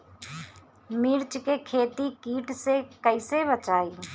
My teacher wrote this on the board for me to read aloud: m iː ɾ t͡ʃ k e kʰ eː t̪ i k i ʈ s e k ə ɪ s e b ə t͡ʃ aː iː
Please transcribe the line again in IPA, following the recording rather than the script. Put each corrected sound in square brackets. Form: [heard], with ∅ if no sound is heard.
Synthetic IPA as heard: m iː ɾ t͡ʃ k e kʰ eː t̪ i k [iː] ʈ s e k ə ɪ s e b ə t͡ʃ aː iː

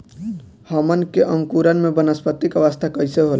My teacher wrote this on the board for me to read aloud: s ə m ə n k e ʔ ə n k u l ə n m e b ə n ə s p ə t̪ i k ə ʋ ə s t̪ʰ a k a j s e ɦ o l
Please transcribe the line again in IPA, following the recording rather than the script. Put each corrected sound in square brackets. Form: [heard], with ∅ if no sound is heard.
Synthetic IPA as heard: [h] ə m ə n k e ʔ ə [ŋ] k u [ɾ] ə n m e b ə n ə s p ə t̪ i k ə ʋ ə s t̪ʰ a k [ə] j s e ɦ o l

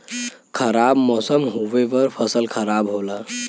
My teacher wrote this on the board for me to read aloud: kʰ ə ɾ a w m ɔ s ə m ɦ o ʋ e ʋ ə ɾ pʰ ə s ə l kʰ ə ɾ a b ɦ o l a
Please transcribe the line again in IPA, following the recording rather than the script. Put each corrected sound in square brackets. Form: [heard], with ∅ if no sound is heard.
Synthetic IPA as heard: kʰ ə ɾ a [b] m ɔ s ə m ɦ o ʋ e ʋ ə ɾ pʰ ə s ə l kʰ ə ɾ a b ɦ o l a

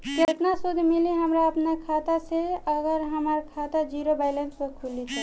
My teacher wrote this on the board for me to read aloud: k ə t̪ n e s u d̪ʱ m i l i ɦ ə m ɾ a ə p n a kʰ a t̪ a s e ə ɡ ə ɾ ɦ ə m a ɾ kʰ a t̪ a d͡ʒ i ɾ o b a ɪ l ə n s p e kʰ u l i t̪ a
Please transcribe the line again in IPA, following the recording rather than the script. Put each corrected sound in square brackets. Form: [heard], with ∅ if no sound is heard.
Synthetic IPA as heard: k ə t̪ n [a] s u d̪ʱ m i l i ɦ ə m ɾ a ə p n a kʰ a t̪ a s e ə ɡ ə ɾ ɦ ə m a ɾ kʰ a t̪ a d͡ʒ i ɾ o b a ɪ l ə n s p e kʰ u l i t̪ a

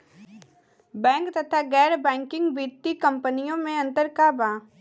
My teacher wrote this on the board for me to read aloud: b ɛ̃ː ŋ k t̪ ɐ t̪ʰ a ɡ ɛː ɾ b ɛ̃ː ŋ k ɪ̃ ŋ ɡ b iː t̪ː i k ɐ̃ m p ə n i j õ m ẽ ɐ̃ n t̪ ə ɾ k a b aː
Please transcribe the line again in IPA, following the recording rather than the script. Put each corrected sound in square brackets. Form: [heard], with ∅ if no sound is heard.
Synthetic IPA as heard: b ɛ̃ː ŋ k t̪ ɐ t̪ʰ a ɡ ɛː ɾ b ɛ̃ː ŋ k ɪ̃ ŋ ɡ b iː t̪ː i k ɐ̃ m p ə n i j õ m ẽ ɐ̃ n t̪ ə ɾ k a b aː

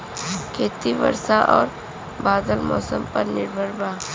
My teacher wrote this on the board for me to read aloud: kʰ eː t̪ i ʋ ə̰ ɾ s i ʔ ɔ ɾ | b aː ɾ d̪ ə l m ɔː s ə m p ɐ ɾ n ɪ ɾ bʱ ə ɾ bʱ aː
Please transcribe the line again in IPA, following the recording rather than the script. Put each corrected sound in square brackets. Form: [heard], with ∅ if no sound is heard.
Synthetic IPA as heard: kʰ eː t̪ i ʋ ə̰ ɾ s [a] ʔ [ɔː] ɾ | b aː [∅] d̪ ə l m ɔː s ə m p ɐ ɾ n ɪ ɾ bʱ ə ɾ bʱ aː

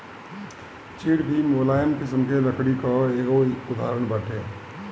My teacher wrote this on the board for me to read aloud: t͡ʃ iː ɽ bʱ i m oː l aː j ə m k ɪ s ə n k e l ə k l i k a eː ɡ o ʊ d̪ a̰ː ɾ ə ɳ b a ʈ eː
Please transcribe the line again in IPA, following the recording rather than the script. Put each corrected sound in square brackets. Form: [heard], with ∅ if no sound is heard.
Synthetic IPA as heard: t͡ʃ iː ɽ bʱ i m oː l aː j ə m k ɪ s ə [m] k e l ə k [ɽ] i k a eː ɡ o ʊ d̪ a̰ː ɾ ə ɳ b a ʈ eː

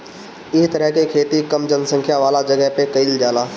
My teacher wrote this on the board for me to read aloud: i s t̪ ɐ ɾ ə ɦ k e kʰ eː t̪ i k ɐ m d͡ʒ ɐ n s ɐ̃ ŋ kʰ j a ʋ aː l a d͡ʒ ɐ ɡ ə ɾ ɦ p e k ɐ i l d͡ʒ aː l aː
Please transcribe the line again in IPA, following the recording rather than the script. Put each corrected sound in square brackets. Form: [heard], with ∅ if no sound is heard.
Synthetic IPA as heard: [ɪ] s t̪ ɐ ɾ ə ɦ k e kʰ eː t̪ i k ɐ m d͡ʒ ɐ n s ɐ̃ ŋ kʰ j a ʋ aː l a d͡ʒ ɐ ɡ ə [∅] ɦ p e k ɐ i l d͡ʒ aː l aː

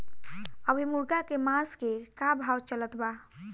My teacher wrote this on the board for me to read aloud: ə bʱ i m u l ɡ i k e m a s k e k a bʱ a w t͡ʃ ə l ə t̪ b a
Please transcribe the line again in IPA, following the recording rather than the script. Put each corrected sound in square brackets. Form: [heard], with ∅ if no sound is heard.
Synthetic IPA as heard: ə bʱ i m u [ɾ] ɡ [a] k e m a s k e k a bʱ a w t͡ʃ ə l ə t̪ b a

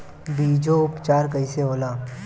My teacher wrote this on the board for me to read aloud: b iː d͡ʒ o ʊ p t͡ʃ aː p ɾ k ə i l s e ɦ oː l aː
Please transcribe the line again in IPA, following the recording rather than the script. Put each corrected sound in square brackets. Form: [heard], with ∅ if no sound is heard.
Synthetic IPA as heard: b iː d͡ʒ o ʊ p t͡ʃ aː [∅] ɾ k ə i [∅] s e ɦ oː l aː

